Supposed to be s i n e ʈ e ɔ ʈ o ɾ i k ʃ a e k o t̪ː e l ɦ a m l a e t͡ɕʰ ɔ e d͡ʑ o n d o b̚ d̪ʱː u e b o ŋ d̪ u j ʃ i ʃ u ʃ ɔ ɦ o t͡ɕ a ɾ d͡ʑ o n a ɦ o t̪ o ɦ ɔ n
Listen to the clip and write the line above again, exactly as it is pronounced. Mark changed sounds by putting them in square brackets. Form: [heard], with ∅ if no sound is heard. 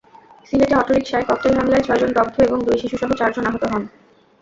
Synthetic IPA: s i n e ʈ e ɔ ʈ o ɾ i k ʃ a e k [ɔ] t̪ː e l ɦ a m l a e t͡ɕʰ ɔ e d͡ʑ o n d [ɔ] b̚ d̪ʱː [o] e b o ŋ d̪ u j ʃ i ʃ u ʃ ɔ ɦ o t͡ɕ a ɾ d͡ʑ o n a ɦ o t̪ o ɦ ɔ n